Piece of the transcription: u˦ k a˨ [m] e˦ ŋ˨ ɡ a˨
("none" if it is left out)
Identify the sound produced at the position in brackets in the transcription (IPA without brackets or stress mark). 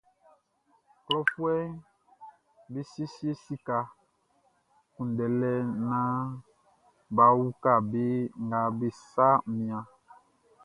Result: b